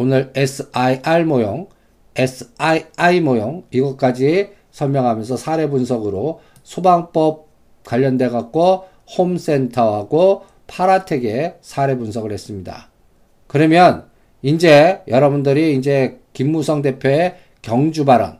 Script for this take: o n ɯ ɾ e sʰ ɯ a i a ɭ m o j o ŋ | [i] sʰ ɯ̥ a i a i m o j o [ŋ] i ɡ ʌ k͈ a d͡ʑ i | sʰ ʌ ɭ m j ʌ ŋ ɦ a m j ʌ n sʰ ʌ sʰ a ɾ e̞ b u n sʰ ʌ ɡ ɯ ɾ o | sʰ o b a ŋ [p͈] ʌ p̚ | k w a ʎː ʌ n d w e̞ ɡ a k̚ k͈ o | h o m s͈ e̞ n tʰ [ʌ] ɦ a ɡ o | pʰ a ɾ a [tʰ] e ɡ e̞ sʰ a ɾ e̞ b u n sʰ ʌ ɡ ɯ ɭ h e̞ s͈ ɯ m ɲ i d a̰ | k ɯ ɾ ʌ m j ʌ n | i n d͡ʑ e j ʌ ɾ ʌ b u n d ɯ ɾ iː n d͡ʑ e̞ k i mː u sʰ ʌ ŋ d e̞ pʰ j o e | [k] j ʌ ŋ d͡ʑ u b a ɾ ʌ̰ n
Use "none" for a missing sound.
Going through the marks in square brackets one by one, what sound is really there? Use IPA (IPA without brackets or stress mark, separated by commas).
e, ŋ, p͈, ʌ, tʰ, k